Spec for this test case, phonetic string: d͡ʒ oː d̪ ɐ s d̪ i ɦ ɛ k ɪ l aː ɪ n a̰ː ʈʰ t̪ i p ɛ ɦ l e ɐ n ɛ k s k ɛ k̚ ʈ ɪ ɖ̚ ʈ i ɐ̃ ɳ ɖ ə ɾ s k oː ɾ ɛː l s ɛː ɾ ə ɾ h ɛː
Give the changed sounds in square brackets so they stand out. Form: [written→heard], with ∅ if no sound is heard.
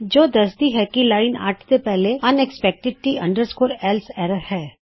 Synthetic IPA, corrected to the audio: d͡ʒ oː d̪ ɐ s d̪ i ɦ ɛ k [ɪ→i] l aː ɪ n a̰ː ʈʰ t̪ [i→e] p ɛ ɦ l e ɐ n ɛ k s [k→p] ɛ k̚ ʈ ɪ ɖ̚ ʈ i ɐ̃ ɳ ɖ ə ɾ s k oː ɾ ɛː l s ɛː ɾ ə ɾ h ɛː